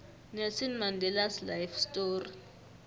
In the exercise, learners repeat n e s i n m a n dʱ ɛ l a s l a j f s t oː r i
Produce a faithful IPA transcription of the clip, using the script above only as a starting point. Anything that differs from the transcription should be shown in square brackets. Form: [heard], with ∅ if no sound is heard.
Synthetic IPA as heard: n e s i n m a n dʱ ɛ l a s l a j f s t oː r i